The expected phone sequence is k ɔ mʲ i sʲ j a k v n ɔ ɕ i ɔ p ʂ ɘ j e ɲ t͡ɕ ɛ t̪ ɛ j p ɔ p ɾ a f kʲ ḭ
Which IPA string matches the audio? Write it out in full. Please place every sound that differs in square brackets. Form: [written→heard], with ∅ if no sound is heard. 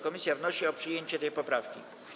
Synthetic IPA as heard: k ɔ mʲ i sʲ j a [k→∅] v n ɔ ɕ i ɔ p ʂ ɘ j e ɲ t͡ɕ ɛ t̪ ɛ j p ɔ p ɾ a f kʲ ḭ